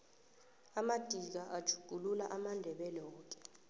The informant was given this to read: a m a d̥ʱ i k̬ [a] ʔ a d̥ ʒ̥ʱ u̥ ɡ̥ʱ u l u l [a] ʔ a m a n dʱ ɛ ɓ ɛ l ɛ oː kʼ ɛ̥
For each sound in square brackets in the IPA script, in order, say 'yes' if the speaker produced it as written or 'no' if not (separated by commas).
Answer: yes, yes